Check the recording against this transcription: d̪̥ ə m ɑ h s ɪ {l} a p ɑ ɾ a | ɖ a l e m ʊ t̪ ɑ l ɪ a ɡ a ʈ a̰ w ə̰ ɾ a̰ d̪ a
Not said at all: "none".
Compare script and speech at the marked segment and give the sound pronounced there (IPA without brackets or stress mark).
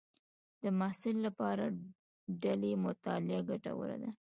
lː